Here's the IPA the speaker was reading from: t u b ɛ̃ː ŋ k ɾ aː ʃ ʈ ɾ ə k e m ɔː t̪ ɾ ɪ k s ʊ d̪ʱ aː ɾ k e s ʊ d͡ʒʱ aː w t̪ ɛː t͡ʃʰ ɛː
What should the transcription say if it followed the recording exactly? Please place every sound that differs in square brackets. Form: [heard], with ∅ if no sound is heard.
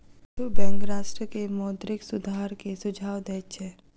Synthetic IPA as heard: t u b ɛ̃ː ŋ k ɾ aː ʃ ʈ ɾ ə k e m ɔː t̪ ɾ ɪ k s ʊ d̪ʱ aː ɾ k e s ʊ d͡ʒʱ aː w [d̪] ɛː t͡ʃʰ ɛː